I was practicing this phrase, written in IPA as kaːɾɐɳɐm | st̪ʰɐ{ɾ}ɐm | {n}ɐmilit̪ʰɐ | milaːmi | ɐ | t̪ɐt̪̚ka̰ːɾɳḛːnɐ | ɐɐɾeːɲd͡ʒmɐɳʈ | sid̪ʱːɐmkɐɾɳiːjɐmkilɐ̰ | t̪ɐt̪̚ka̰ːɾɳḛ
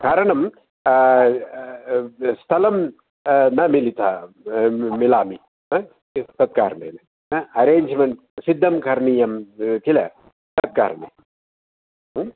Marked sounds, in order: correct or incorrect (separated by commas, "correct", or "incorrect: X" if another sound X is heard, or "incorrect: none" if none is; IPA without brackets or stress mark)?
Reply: incorrect: l, correct